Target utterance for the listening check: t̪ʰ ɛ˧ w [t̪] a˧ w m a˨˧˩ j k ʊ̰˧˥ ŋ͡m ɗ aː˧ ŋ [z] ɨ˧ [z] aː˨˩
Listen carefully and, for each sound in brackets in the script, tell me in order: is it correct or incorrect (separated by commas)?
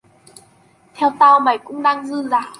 correct, correct, correct